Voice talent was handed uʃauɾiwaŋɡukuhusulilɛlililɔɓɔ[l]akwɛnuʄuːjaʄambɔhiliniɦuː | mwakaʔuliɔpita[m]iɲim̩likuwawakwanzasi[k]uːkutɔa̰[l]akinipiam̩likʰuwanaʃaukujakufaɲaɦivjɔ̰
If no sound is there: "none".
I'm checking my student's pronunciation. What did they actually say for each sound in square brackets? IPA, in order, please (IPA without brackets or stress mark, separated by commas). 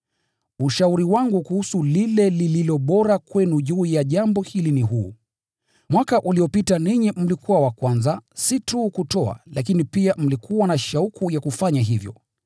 ɾ, n, t, l